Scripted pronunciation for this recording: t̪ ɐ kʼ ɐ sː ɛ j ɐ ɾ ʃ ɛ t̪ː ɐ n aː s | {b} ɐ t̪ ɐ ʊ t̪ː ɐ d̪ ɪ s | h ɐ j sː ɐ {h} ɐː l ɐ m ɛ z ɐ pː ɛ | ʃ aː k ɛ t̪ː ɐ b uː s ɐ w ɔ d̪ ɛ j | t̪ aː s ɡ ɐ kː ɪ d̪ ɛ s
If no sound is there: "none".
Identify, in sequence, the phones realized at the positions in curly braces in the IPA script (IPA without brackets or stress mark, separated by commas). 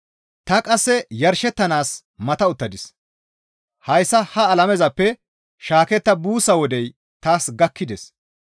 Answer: m, h